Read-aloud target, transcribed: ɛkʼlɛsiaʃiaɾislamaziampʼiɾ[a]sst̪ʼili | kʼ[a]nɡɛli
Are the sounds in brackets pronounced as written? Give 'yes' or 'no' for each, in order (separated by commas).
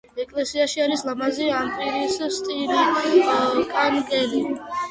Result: no, yes